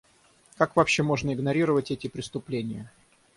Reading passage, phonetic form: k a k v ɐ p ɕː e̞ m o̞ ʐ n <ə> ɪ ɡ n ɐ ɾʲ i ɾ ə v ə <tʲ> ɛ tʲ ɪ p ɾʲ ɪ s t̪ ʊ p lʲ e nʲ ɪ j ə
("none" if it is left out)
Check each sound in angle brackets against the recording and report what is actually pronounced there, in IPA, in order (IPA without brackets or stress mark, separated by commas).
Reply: ə, tʲ